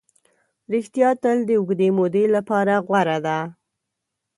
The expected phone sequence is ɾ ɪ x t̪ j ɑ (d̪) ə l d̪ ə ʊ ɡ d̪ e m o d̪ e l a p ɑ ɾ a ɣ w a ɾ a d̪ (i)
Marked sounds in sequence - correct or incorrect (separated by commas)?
incorrect, incorrect